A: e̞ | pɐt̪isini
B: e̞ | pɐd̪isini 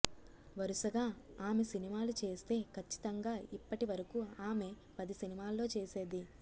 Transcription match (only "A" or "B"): B